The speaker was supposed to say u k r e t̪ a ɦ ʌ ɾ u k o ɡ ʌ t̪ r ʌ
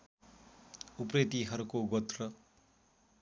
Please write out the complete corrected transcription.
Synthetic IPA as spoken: u p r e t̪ i ɦ ʌ ɾ u k o ɡ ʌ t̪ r ʌ